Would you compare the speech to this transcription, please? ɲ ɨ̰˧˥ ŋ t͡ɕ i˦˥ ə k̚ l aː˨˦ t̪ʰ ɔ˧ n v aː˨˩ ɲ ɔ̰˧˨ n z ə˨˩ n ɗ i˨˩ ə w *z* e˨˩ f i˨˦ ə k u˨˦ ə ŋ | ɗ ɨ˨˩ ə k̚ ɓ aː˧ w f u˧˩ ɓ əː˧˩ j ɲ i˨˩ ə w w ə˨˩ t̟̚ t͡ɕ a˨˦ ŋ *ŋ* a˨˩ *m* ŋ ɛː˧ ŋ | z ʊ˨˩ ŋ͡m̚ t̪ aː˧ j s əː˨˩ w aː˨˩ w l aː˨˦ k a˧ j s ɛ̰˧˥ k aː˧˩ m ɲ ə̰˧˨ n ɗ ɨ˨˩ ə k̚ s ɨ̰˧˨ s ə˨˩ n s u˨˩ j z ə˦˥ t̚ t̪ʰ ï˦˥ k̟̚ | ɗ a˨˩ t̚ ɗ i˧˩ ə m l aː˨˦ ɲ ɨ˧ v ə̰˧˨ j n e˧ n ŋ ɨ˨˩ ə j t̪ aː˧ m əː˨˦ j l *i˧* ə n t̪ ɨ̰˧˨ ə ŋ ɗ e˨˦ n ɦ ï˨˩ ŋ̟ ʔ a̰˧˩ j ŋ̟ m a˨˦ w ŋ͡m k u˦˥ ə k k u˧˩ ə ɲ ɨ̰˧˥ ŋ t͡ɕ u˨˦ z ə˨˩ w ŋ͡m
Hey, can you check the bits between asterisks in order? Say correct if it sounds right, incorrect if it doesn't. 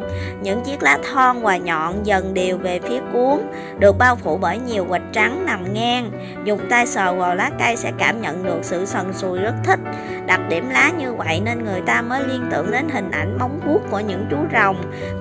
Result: incorrect: v, incorrect: n, correct, correct

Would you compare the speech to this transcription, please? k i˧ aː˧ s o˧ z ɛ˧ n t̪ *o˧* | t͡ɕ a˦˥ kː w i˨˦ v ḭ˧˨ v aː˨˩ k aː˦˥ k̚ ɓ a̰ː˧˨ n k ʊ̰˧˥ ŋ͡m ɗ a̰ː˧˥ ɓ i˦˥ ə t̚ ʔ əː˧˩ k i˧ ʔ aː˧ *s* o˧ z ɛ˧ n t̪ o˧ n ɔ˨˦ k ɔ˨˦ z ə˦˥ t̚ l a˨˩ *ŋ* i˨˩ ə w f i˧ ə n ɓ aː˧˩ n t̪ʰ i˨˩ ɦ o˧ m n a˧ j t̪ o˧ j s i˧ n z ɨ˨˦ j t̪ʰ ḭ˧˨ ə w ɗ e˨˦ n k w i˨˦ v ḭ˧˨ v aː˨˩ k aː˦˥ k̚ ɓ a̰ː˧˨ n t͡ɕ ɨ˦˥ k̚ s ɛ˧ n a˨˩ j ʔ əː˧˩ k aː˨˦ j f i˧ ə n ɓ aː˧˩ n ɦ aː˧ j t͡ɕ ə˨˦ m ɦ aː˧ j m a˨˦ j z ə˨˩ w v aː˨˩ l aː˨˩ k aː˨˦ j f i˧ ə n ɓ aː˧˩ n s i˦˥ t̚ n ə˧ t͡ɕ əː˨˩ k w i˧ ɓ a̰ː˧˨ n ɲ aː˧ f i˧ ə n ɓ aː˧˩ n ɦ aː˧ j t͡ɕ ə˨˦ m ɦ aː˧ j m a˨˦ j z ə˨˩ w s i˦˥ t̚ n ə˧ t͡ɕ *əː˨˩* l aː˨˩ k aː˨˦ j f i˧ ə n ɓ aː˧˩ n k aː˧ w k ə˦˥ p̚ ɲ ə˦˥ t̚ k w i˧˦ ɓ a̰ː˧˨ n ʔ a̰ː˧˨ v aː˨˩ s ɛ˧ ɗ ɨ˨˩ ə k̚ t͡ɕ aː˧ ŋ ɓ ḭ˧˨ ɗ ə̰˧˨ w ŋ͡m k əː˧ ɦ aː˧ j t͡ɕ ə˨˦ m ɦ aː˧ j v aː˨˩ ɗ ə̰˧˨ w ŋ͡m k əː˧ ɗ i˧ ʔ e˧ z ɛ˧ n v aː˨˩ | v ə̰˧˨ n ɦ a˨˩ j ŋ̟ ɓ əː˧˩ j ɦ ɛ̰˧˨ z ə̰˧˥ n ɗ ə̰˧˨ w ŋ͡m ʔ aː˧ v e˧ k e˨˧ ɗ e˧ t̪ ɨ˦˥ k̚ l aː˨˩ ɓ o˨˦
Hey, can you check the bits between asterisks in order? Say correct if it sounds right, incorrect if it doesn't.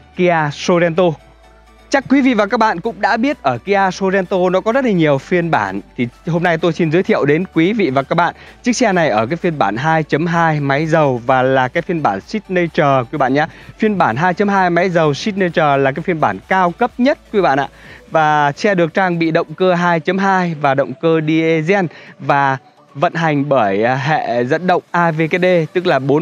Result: correct, correct, incorrect: ɲ, correct

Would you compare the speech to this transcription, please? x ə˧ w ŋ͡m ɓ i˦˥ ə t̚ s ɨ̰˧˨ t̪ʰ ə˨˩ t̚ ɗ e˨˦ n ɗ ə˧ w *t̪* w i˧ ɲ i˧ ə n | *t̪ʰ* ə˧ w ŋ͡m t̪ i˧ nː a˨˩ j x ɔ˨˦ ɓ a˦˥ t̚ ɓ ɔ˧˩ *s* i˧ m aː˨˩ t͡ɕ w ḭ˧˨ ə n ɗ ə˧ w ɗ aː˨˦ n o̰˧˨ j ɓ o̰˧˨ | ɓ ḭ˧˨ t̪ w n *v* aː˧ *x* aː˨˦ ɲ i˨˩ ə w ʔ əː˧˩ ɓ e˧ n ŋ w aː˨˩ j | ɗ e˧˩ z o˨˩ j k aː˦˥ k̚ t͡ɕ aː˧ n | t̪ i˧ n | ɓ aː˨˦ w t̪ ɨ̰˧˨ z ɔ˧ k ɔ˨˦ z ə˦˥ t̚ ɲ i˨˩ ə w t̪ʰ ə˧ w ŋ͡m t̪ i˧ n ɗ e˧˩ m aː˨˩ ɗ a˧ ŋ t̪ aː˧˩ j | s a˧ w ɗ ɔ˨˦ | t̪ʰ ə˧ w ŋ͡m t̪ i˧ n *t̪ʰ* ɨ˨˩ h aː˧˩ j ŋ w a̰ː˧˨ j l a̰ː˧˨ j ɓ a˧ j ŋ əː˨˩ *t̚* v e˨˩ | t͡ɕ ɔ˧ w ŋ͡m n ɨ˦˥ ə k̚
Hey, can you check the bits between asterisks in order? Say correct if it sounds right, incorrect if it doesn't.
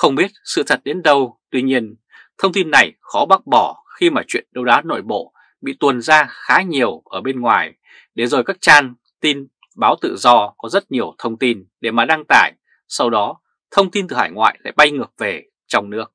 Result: correct, correct, incorrect: x, incorrect: z, correct, incorrect: t̪, incorrect: p̚

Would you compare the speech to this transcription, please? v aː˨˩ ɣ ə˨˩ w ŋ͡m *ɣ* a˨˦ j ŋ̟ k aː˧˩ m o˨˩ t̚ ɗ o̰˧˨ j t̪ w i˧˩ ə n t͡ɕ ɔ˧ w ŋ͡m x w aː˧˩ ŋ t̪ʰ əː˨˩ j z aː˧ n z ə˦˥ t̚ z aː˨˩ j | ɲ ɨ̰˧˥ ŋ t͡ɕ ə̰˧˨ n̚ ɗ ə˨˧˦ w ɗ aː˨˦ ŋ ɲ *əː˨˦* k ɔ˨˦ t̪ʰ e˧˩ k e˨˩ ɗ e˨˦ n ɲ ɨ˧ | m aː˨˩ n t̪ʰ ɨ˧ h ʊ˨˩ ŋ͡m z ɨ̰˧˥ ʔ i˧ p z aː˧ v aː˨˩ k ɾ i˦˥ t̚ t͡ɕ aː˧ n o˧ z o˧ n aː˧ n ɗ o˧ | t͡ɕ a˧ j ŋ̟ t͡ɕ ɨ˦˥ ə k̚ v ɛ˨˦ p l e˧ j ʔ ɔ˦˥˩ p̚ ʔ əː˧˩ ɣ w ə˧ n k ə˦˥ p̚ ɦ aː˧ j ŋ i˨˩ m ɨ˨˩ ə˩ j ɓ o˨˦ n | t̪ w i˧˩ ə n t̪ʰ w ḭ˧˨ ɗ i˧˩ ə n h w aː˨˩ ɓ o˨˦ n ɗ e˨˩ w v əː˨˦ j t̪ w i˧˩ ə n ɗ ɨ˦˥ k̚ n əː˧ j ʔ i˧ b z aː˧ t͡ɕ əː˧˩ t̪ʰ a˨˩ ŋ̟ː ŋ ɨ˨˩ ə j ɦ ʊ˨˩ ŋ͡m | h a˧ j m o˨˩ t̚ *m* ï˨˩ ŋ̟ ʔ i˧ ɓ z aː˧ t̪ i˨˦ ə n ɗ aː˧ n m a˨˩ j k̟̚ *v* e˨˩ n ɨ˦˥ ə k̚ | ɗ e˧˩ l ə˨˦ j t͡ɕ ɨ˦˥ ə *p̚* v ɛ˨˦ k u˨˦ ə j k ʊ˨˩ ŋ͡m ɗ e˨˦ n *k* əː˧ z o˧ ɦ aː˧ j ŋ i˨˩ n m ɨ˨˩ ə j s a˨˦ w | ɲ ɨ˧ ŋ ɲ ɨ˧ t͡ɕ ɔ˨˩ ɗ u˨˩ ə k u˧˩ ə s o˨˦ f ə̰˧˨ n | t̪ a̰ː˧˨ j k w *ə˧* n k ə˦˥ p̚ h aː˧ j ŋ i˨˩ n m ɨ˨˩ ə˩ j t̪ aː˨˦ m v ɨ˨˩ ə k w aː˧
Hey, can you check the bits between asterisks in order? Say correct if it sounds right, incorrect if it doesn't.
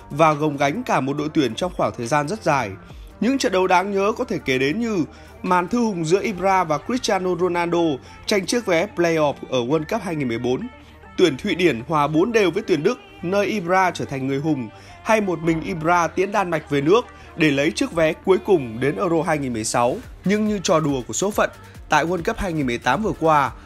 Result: correct, correct, correct, correct, incorrect: k̚, incorrect: ʔ, correct

